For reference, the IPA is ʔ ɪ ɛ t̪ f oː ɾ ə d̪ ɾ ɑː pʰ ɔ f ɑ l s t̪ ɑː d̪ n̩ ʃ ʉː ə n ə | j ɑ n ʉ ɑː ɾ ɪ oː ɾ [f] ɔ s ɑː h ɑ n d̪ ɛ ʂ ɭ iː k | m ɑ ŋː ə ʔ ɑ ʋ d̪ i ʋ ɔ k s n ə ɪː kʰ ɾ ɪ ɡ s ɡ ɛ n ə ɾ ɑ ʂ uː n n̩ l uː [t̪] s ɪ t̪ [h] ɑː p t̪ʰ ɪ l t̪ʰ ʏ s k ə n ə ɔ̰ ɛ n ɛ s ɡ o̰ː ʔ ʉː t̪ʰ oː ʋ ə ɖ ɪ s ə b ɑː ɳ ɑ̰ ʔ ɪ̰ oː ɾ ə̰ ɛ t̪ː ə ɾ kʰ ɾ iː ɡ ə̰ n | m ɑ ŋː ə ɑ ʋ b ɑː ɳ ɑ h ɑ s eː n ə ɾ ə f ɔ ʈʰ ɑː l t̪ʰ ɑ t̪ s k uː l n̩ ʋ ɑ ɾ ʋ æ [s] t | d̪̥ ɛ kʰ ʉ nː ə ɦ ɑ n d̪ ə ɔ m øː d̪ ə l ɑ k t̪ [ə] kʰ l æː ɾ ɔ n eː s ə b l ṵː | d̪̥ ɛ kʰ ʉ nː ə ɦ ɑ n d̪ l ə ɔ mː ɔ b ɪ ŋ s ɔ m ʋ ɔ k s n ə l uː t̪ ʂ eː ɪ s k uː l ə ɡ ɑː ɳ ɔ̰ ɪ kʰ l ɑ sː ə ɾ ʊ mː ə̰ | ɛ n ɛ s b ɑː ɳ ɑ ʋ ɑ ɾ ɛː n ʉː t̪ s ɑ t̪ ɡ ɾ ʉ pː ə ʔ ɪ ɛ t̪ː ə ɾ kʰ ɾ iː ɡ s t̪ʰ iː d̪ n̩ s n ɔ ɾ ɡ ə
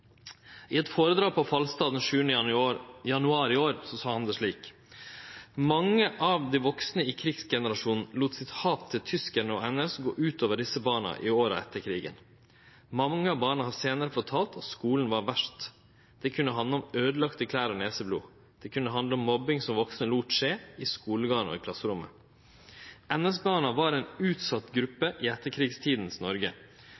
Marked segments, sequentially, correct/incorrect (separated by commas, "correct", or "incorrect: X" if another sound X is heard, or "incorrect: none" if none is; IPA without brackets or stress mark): incorrect: s, correct, correct, incorrect: ʂ, correct